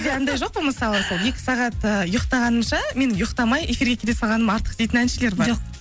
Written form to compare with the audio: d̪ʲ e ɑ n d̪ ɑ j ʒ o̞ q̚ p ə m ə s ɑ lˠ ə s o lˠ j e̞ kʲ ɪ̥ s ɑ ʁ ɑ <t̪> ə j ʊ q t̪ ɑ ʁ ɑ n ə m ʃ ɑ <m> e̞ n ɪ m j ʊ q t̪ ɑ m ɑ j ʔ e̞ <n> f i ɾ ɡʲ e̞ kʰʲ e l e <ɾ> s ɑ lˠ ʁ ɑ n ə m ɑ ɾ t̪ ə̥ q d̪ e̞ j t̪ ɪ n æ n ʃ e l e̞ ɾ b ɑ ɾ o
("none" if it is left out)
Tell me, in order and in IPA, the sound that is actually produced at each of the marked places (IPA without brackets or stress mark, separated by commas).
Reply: t̪, m, none, none